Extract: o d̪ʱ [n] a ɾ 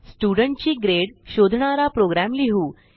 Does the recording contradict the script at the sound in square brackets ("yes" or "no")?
yes